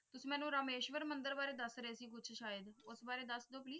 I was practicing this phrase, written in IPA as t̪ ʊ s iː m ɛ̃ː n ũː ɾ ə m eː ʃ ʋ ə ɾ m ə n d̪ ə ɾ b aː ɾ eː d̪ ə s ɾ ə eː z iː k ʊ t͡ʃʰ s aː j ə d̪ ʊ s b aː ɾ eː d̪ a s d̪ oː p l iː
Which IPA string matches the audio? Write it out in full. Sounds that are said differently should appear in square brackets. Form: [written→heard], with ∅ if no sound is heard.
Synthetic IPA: t̪ ʊ s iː m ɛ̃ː n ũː ɾ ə m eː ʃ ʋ ə ɾ m ə n d̪ ə ɾ b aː ɾ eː d̪ ə s ɾ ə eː [z→s] iː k ʊ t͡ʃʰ [s→ʃ] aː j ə d̪ ʊ s b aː ɾ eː d̪ [a→ə] s d̪ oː p l iː